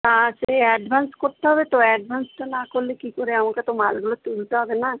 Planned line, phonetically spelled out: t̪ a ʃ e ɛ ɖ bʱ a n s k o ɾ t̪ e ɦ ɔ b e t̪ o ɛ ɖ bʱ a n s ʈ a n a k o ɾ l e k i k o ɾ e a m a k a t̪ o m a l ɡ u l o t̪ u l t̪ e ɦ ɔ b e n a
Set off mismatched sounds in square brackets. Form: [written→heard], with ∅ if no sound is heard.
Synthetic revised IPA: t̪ a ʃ e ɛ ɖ bʱ a n s k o ɾ t̪ e ɦ ɔ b e t̪ o ɛ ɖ bʱ a n s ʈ a n a k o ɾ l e k i k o ɾ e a m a k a t̪ o m a l ɡ u l o t̪ u l t̪ e ɦ ɔ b e n a